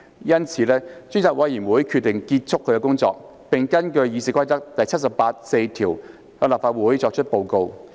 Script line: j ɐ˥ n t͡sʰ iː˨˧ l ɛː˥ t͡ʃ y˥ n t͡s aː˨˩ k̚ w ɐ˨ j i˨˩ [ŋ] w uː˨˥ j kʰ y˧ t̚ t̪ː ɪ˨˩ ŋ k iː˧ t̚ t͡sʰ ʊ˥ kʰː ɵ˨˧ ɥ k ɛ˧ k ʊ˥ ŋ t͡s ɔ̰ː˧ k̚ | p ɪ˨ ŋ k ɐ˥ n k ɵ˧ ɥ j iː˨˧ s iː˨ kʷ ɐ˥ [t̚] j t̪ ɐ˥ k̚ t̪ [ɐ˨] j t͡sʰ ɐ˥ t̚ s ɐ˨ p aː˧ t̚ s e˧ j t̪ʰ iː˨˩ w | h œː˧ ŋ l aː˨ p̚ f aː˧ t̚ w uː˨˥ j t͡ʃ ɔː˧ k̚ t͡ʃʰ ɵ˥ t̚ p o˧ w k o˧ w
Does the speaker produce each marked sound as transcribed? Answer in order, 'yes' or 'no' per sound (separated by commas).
no, no, yes